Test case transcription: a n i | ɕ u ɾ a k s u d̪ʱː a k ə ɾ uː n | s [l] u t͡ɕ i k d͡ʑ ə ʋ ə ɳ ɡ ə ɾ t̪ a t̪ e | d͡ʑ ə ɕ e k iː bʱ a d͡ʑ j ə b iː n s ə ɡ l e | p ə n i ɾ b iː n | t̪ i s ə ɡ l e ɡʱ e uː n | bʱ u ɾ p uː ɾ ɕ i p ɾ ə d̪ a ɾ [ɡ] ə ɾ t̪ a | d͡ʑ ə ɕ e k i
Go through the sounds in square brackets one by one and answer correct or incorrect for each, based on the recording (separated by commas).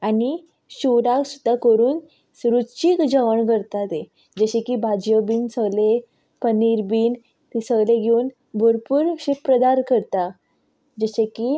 incorrect, incorrect